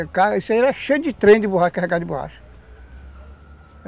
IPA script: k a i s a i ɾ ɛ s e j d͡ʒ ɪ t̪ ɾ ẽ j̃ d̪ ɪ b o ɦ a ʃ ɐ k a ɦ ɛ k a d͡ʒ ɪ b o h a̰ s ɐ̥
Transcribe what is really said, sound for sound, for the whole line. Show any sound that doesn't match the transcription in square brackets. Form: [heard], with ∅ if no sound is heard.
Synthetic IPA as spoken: k a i s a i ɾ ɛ [ʃ] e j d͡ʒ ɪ t̪ ɾ ẽ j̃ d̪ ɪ b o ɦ a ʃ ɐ k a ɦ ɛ k a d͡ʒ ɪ b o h a̰ [ʃ] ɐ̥